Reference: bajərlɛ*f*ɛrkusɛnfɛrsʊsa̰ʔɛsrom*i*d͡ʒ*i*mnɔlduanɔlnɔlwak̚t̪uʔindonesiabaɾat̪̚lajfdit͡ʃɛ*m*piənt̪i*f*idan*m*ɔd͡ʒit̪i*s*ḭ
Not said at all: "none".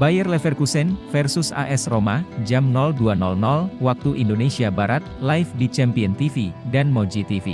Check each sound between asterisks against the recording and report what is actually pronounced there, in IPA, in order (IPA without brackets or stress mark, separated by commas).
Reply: f, a, a, m, f, m, f